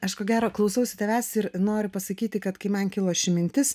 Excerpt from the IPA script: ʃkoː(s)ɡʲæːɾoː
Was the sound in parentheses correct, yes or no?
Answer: no